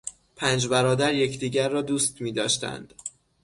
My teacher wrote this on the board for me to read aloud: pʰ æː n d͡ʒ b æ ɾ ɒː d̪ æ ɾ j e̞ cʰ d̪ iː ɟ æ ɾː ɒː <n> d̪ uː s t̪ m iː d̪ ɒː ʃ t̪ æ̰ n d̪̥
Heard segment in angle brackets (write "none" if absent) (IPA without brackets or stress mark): none